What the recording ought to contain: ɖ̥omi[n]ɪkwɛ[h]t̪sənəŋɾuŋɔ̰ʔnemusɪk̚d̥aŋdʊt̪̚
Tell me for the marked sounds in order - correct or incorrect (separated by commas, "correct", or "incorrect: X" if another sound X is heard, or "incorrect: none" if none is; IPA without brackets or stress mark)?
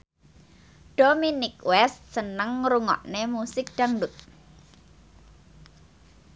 correct, incorrect: s